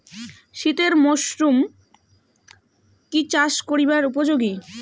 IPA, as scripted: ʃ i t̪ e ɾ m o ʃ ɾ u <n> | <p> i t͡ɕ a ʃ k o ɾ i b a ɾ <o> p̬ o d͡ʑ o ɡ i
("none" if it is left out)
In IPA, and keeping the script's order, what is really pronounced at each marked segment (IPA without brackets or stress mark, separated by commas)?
m, k, u